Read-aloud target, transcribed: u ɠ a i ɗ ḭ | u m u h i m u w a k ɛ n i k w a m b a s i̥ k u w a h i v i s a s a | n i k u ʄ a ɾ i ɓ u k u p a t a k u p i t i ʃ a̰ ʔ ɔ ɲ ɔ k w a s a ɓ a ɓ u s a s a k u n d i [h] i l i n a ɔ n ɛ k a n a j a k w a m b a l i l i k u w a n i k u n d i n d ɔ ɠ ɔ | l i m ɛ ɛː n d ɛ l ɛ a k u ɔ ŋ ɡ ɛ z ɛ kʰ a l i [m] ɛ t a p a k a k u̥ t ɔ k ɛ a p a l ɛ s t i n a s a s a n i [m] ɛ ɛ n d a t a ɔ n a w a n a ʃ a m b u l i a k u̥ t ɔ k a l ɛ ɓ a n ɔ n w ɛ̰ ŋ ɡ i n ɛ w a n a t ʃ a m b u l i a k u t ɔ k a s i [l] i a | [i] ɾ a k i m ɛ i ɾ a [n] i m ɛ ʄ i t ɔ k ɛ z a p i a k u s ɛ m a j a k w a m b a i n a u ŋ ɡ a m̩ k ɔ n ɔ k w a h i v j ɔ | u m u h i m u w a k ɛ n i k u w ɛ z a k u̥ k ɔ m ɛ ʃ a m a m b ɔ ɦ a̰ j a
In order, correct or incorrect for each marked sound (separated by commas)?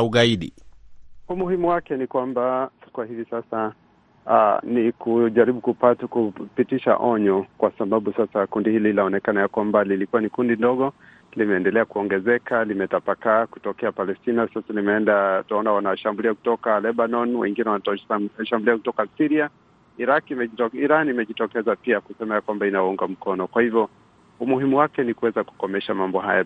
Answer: correct, correct, correct, incorrect, correct, correct